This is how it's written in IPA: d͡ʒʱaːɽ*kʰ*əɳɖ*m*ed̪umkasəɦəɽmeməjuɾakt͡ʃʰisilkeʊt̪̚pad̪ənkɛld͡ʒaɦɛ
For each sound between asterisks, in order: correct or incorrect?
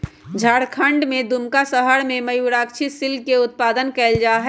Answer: correct, correct

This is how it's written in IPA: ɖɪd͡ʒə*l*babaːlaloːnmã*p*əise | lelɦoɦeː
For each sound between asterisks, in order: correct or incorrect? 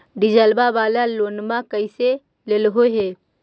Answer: correct, incorrect

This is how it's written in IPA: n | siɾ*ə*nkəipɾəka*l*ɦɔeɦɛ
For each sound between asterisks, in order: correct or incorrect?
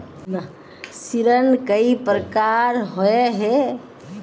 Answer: correct, incorrect

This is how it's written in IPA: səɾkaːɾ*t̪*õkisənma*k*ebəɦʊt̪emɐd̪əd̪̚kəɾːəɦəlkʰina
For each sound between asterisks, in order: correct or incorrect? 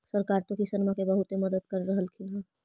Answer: correct, correct

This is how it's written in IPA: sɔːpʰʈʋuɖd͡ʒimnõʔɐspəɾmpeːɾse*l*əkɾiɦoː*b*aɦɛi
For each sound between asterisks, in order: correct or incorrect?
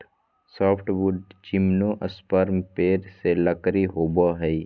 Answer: correct, correct

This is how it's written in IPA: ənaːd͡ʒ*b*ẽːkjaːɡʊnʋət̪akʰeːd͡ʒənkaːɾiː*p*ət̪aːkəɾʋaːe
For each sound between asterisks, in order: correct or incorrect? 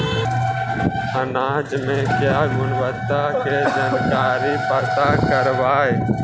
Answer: incorrect, correct

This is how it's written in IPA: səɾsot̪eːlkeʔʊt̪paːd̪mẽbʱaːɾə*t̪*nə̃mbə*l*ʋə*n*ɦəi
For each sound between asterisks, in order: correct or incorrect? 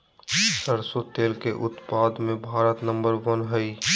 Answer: correct, incorrect, correct

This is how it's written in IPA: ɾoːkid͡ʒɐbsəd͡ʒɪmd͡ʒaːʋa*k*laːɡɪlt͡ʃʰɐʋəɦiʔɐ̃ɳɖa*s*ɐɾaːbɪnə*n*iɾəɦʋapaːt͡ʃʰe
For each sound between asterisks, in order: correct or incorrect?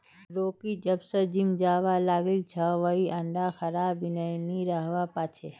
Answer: incorrect, incorrect, correct

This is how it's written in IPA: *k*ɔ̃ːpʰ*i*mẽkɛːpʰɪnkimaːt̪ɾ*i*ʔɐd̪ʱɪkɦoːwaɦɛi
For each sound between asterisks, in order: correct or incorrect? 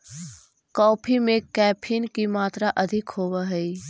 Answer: correct, correct, incorrect

